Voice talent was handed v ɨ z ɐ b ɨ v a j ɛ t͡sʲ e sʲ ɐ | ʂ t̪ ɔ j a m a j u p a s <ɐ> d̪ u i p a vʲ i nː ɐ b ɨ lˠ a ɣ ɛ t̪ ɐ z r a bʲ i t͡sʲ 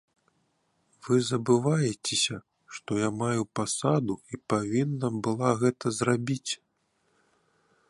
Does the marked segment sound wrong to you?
yes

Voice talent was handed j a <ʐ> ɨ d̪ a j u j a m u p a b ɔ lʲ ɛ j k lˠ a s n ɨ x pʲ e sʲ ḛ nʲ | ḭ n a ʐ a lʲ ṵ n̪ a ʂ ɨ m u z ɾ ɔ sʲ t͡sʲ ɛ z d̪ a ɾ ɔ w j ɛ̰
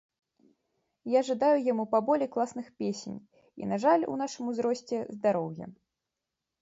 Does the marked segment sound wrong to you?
no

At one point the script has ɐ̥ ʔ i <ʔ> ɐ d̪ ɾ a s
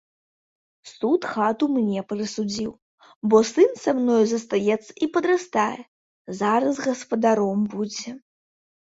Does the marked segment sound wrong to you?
yes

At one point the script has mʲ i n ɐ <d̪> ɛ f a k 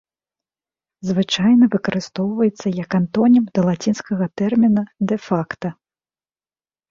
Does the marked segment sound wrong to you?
no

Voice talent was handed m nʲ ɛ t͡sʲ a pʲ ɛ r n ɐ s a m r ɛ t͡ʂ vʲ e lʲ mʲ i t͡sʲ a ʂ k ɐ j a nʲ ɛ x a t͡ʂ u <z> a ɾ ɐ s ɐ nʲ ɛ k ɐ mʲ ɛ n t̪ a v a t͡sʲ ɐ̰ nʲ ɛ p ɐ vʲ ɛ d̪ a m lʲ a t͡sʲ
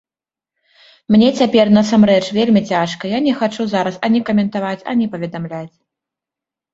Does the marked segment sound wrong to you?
no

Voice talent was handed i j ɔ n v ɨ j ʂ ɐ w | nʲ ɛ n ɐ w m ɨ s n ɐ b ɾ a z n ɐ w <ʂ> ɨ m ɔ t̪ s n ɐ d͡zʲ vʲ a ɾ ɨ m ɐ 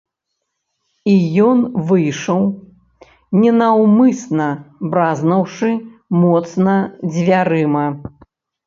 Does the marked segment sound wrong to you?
no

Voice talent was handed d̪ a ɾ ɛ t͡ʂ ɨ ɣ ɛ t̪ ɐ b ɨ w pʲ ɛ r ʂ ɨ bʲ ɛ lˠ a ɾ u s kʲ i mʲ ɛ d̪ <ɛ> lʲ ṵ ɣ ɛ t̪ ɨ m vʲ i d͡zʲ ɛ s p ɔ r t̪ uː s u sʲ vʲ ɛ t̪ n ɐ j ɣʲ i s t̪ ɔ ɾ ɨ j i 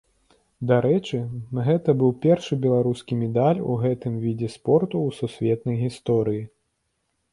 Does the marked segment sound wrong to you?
yes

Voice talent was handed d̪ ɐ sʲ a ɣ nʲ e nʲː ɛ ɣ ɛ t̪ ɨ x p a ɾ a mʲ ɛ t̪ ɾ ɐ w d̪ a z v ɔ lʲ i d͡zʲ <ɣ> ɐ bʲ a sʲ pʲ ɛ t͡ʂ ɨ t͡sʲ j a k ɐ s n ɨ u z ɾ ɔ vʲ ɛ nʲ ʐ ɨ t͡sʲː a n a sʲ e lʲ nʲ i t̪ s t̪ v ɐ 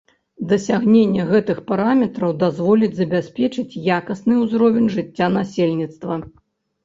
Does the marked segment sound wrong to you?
yes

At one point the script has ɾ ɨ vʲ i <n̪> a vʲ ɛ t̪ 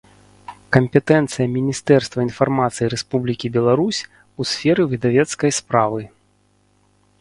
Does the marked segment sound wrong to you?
yes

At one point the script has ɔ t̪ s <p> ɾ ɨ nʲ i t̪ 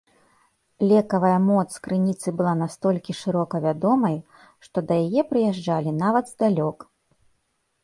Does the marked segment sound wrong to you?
yes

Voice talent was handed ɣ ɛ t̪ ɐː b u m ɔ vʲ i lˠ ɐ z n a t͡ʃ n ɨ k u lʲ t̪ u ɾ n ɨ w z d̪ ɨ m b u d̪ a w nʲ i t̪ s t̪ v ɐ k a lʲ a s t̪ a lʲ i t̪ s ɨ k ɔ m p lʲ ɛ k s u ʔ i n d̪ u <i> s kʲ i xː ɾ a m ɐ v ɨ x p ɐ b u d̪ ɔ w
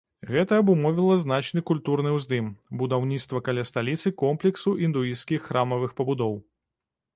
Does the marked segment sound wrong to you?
no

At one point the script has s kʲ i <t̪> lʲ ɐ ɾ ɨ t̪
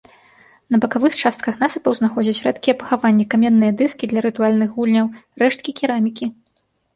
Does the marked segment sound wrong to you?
yes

